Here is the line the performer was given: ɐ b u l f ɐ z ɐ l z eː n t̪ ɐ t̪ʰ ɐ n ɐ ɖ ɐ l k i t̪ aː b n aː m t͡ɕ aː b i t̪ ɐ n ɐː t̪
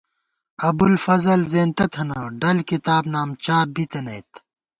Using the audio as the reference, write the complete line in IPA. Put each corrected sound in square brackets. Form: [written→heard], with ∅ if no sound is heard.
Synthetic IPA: ɐ b u l f ɐ z ɐ l z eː n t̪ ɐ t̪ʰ ɐ n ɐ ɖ ɐ l k i t̪ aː b n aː m t͡ɕ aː b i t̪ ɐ n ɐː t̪